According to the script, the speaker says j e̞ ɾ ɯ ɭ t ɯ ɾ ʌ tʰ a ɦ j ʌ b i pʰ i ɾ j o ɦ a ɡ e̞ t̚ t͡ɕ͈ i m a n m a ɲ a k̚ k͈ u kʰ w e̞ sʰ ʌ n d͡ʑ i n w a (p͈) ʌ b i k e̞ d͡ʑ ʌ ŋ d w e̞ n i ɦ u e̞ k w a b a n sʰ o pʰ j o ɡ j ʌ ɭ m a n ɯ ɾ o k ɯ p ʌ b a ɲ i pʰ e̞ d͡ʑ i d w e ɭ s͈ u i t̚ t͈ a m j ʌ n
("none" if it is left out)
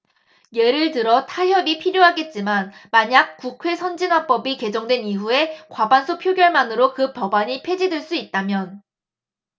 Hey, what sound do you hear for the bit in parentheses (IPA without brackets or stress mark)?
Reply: p͈